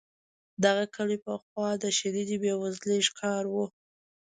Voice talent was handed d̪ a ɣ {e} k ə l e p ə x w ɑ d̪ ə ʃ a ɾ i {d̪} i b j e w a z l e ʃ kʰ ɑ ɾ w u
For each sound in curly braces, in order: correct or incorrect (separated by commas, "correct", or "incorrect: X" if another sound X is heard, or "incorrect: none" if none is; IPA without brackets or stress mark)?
incorrect: a, correct